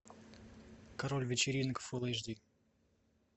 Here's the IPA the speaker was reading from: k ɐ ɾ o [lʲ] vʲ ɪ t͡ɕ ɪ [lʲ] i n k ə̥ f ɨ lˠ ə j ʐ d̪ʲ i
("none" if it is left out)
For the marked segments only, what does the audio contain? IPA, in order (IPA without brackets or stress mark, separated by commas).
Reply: lʲ, ɾʲ